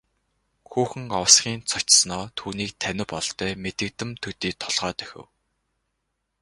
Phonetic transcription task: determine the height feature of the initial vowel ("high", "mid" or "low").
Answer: high